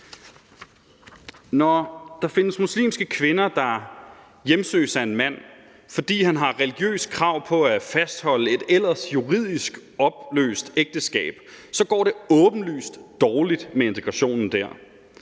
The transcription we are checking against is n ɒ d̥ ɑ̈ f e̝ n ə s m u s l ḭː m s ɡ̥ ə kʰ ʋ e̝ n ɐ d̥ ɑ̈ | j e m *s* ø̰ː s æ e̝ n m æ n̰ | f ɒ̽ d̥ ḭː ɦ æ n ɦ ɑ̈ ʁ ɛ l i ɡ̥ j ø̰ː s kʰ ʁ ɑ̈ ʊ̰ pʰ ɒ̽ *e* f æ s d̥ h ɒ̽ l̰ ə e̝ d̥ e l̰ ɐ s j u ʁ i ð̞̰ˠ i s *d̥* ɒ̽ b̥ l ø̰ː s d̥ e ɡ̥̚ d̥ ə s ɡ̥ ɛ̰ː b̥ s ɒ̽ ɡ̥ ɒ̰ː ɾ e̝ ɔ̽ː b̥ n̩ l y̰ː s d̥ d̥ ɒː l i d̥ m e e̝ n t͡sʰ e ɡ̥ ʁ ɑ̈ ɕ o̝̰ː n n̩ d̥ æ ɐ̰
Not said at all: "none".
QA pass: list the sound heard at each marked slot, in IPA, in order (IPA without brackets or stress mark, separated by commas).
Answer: s, æ, ɡ̥